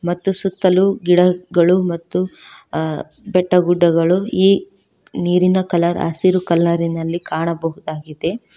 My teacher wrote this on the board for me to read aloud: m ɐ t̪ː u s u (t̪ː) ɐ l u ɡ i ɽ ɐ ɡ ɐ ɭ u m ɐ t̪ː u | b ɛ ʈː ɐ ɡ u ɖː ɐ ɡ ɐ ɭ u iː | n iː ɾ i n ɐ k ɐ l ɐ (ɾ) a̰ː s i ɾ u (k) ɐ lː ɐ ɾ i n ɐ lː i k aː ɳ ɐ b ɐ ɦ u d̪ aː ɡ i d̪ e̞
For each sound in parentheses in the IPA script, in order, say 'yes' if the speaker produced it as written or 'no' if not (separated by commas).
yes, yes, yes